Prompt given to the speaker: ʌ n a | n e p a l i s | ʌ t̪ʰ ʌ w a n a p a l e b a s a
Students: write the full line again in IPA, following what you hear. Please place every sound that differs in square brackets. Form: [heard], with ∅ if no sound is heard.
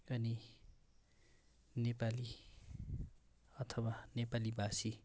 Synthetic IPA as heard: ʌ n [i] | n e p a l i [∅] | ʌ t̪ʰ ʌ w a n [e] p a l [i] b a s [i]